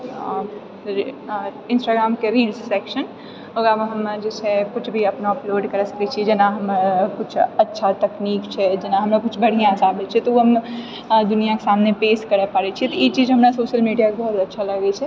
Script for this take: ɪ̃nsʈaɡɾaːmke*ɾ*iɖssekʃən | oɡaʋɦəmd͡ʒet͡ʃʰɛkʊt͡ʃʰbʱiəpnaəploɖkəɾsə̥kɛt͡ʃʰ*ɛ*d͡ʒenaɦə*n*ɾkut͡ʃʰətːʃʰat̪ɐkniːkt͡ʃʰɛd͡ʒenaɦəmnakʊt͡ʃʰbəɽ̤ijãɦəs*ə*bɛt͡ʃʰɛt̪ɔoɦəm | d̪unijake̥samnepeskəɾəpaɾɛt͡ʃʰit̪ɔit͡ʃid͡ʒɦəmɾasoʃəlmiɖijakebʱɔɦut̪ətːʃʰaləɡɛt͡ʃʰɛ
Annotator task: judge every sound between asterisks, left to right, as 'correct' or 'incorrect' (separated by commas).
correct, incorrect, incorrect, incorrect